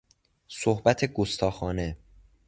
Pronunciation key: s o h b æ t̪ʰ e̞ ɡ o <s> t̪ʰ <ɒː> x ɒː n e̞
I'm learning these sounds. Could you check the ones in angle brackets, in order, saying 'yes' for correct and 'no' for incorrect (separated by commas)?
yes, yes